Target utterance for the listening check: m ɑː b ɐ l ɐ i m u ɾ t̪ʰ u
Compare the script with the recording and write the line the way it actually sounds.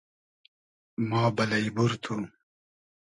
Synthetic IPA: m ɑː b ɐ l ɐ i b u ɾ t̪ʰ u